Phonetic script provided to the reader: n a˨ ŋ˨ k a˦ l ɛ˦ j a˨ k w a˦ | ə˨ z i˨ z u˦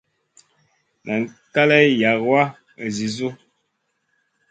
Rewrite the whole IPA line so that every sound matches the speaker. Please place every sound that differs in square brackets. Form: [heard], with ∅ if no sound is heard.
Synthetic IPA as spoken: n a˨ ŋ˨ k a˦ l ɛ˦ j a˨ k w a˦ | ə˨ z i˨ z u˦